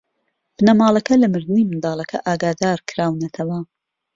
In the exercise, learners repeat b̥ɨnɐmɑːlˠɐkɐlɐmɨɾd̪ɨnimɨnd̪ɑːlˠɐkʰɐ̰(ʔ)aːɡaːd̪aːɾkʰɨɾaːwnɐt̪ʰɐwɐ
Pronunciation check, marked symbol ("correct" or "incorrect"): correct